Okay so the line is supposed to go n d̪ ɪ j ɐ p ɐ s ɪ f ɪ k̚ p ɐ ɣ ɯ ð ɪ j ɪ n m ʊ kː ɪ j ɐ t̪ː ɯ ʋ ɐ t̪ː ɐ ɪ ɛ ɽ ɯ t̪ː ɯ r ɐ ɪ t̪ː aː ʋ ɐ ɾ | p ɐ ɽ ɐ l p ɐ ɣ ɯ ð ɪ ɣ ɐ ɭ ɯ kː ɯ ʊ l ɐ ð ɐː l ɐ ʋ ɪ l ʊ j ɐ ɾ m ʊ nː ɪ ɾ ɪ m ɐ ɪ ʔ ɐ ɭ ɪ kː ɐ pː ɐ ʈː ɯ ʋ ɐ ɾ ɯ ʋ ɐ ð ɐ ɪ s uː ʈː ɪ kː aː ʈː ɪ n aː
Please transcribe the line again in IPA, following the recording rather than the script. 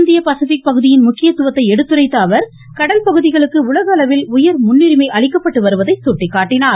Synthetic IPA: n d̪ ɪ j ɐ p ɐ s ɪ f ɪ k̚ p ɐ ɣ ɯ ð ɪ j ɪ n m ʊ kː ɪ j ɐ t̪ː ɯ ʋ ɐ t̪ː ɐ ɪ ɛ ɽ ɯ t̪ː ɯ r ɐ ɪ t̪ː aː ʋ ɐ ɾ | k ɐ ɽ ɐ l p ɐ ɣ ɯ ð ɪ ɣ ɐ ɭ ɯ kː ɯ ʊ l ɐ ɣ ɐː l ɐ ʋ ɪ l ʊ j ɐ ɾ m ʊ nː ɪ ɾ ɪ m ɐ ɪ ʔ ɐ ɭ ɪ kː ɐ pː ɐ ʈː ɯ ʋ ɐ ɾ ɯ ʋ ɐ ð ɐ ɪ s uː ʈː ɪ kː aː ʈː ɪ n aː